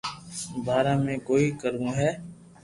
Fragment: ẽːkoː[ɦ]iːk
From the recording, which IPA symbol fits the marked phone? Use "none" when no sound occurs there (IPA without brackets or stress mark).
none